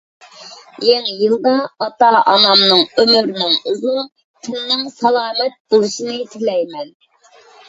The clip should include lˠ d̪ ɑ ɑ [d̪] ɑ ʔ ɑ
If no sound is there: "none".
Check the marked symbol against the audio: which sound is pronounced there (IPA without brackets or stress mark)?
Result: t̪